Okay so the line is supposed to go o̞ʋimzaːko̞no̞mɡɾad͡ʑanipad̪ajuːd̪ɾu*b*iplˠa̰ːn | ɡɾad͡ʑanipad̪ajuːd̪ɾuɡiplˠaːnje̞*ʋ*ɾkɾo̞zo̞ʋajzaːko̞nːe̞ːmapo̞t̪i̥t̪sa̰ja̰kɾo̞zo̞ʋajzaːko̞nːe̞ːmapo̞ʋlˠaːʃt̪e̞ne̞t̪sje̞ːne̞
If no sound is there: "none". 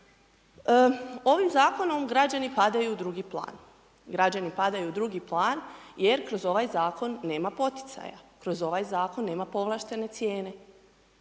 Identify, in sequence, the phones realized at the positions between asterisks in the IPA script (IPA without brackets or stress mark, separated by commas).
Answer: ɡ, none